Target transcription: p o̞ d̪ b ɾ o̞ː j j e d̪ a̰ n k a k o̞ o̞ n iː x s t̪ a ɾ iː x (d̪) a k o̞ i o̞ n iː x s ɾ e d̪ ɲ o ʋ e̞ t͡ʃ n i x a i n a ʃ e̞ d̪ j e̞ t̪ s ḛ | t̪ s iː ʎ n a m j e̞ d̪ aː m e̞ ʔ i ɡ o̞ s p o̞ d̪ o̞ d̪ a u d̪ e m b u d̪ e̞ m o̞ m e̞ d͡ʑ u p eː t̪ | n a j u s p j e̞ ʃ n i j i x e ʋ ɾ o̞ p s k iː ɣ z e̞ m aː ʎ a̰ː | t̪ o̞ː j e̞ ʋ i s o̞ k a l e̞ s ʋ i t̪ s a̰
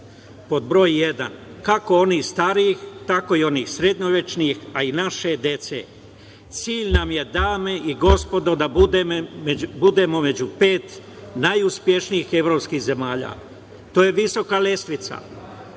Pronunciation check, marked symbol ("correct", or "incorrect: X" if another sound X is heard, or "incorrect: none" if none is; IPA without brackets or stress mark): incorrect: t̪